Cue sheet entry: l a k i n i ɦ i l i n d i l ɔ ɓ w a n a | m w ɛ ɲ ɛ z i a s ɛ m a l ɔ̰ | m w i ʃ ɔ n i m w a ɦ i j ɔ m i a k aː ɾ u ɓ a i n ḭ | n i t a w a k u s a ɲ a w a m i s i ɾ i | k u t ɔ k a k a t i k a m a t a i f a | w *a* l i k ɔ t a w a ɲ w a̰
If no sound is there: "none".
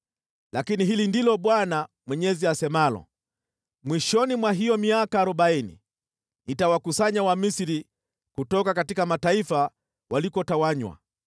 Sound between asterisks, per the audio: a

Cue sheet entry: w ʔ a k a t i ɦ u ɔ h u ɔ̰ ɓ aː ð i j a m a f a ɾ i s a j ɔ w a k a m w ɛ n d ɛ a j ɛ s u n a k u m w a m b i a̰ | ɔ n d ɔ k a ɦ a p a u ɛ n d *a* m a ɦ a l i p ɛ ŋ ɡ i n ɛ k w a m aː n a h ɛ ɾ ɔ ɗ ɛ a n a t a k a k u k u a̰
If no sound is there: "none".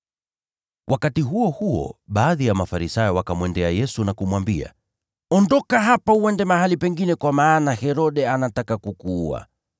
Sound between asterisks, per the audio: ɛ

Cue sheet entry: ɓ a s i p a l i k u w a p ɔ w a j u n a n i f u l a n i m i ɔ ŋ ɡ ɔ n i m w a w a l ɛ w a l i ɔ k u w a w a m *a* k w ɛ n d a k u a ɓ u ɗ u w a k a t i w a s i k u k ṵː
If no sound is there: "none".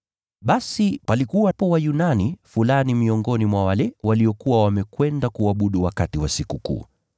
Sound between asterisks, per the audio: ɛ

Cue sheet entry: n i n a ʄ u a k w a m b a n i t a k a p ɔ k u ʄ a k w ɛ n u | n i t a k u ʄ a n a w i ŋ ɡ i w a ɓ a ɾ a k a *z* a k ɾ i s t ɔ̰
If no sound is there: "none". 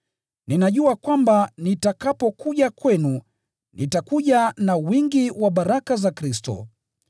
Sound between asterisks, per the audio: z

